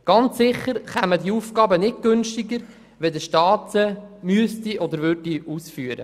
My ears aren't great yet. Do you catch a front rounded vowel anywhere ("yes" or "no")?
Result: yes